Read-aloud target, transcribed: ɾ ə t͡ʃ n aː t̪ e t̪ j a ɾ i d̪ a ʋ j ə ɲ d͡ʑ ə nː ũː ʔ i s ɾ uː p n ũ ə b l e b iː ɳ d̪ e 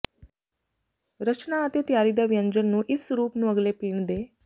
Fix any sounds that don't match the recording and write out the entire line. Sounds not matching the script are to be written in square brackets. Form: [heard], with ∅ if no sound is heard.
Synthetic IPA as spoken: ɾ ə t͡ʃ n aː t̪ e t̪ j a ɾ i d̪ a ʋ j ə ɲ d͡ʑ ə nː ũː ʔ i s ɾ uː p n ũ ə [ɡ] l e [p] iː ɳ d̪ e